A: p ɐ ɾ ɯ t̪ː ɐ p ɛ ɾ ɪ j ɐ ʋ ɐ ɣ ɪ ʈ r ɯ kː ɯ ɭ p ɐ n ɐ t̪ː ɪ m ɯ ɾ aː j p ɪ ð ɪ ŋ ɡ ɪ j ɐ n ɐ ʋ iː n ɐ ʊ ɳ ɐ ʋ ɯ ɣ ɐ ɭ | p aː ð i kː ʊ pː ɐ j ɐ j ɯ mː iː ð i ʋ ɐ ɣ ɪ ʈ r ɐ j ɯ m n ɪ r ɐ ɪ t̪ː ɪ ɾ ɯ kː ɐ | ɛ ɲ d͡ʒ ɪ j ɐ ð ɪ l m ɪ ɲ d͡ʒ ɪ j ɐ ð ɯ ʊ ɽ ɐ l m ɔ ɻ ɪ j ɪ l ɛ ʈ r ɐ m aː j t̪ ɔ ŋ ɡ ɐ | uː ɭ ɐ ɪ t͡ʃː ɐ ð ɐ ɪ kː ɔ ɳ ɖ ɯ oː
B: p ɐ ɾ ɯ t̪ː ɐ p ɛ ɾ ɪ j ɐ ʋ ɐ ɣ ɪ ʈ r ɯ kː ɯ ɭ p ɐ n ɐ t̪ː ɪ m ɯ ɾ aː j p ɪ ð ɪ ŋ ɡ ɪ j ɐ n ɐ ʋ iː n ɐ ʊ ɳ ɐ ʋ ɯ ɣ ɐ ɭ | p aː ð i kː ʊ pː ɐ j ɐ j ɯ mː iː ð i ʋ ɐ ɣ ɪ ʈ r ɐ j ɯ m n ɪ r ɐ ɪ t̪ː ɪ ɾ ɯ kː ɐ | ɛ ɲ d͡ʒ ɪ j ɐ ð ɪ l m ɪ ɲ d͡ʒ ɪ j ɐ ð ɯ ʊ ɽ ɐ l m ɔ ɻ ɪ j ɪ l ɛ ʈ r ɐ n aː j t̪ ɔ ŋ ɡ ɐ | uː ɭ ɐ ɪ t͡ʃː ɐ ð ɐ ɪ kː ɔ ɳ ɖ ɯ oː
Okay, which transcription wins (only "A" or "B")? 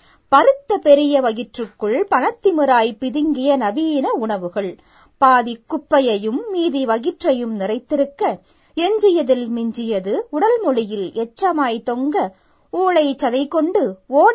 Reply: A